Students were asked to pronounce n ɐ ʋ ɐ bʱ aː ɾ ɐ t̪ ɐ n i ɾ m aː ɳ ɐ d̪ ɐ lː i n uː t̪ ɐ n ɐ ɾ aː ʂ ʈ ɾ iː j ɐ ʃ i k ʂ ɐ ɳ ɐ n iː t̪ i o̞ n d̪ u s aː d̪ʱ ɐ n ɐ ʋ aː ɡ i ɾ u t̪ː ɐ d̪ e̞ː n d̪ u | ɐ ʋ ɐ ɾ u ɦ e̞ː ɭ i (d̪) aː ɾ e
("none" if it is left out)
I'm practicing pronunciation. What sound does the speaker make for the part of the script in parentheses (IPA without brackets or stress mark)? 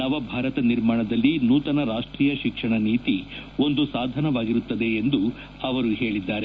d̪ː